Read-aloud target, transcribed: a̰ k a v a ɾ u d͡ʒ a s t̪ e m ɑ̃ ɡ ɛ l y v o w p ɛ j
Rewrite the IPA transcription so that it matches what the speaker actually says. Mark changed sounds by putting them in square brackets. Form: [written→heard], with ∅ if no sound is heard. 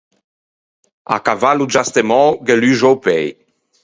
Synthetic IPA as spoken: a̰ k a v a [ɾ→l] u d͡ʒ a s t̪ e m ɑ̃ ɡ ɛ l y [v→ʒ] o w p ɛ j

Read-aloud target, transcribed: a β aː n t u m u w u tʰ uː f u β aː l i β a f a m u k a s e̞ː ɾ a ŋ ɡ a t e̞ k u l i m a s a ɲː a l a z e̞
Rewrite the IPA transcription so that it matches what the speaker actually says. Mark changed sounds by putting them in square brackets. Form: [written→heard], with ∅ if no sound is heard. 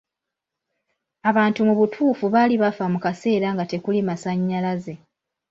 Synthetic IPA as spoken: a β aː n t u m u [w→β] u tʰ uː f u β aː l i β a f a m u k a s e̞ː ɾ a ŋ ɡ a t e̞ k u l i m a s a ɲː a l a z e̞

